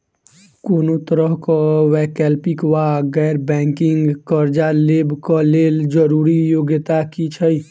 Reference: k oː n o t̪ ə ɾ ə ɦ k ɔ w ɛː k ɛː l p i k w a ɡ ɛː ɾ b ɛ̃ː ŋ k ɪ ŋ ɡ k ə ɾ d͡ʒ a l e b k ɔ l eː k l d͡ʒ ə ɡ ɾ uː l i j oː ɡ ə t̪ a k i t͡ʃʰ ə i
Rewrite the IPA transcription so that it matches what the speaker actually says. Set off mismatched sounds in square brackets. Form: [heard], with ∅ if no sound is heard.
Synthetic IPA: k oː n o t̪ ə ɾ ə ɦ k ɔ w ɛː k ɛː l p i k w a ɡ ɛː ɾ b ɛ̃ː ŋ k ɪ ŋ ɡ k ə ɾ d͡ʒ a l e b k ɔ l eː [∅] l d͡ʒ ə [∅] ɾ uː [ɾ] i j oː ɡ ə t̪ a k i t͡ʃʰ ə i